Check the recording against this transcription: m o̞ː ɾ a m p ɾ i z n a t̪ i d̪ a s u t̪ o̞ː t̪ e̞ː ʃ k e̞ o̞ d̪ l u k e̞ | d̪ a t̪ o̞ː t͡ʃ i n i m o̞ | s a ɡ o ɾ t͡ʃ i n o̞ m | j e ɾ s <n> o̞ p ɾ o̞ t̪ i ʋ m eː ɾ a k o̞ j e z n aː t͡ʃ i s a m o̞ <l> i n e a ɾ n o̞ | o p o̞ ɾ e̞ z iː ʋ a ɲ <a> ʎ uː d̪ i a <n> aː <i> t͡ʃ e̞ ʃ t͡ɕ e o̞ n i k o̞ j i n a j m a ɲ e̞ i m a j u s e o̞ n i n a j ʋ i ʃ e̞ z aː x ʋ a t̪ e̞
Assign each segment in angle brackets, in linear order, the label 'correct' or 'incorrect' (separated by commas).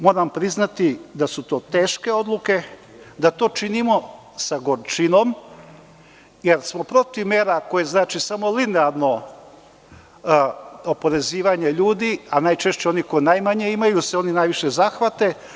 incorrect, correct, incorrect, correct, incorrect